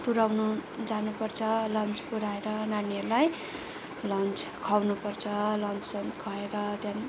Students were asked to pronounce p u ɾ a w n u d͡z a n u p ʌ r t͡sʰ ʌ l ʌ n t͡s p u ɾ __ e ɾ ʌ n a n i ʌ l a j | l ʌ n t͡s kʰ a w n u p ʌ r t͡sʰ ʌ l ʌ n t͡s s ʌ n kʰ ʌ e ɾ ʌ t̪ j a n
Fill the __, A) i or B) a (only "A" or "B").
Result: B